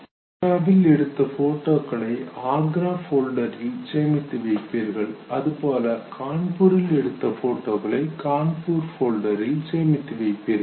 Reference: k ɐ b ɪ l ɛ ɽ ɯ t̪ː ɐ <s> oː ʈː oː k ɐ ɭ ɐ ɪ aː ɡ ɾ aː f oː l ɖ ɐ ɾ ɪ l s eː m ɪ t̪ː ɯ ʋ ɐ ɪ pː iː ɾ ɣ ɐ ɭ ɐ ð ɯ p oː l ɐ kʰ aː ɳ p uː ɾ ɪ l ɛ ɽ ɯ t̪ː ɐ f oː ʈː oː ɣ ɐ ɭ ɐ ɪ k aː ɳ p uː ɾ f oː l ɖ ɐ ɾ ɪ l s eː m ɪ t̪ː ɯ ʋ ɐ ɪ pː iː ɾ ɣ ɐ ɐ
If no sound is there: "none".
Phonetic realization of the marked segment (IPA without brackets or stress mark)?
f